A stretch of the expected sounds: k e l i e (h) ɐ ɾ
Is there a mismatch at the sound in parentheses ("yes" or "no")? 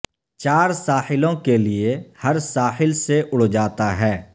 no